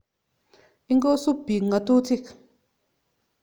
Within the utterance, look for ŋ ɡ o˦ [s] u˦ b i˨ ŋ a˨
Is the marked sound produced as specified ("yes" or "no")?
yes